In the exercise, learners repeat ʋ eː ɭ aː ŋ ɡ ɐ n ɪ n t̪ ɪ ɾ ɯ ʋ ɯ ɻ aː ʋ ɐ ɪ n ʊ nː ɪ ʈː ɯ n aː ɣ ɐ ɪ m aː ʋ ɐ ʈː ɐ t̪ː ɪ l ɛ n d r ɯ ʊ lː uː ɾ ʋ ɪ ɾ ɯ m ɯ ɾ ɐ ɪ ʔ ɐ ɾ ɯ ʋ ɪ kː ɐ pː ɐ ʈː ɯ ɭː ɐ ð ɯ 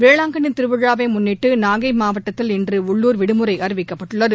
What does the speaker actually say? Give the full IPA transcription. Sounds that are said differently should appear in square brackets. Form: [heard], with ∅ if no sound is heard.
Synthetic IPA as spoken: ʋ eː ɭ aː ŋ ɡ ɐ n ɪ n t̪ ɪ ɾ ɯ ʋ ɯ ɻ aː ʋ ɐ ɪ [m] ʊ nː ɪ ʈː ɯ n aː ɣ ɐ ɪ m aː ʋ ɐ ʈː ɐ t̪ː ɪ l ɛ n d r ɯ ʊ [ɭː] uː ɾ ʋ ɪ [ɽ] ɯ m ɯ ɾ ɐ ɪ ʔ ɐ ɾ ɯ ʋ ɪ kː ɐ pː ɐ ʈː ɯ ɭː ɐ ð ɯ